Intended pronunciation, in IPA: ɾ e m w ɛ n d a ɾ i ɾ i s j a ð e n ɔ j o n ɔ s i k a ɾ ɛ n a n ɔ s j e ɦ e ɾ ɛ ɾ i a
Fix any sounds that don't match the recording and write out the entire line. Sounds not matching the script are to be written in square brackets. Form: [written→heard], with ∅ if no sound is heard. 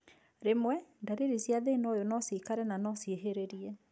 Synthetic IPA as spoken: ɾ e m w ɛ n d a ɾ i ɾ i s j a ð e n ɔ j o n ɔ s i k a ɾ ɛ n a n ɔ s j e ɦ e ɾ [ɛ→e] ɾ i [a→ɛ]